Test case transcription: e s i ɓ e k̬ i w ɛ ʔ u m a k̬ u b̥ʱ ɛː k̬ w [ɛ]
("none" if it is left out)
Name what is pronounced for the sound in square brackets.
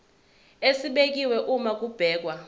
a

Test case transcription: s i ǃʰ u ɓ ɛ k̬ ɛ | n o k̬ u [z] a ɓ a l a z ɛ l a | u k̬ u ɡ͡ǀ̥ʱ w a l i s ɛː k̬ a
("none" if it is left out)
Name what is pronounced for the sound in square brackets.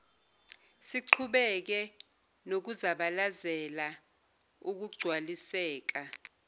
z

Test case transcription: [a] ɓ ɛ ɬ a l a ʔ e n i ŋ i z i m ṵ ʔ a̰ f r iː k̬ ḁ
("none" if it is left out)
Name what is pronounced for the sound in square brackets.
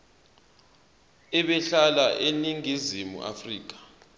ɛ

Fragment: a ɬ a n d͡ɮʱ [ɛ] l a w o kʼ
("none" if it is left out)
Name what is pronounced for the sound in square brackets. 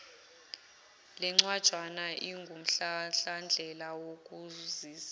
ɛ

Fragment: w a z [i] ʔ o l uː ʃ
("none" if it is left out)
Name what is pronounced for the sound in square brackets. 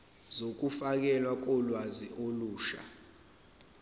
i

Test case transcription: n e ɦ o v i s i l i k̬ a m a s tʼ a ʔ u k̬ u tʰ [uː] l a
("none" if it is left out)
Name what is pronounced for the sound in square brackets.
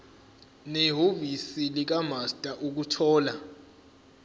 ɔː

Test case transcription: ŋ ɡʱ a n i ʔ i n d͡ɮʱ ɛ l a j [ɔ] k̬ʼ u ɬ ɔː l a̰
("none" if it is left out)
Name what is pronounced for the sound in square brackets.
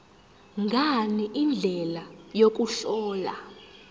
o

